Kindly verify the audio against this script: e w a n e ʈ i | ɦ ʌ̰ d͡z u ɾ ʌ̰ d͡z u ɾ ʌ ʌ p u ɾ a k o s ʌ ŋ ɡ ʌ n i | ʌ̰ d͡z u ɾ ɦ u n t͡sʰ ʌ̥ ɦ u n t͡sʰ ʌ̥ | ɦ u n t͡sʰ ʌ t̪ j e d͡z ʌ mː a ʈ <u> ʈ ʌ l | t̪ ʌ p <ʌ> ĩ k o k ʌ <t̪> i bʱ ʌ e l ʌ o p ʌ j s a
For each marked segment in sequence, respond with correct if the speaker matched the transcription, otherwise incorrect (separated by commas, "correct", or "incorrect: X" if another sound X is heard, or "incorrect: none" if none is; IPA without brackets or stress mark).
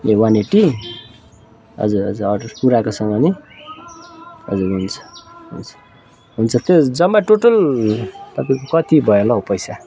incorrect: o, incorrect: a, correct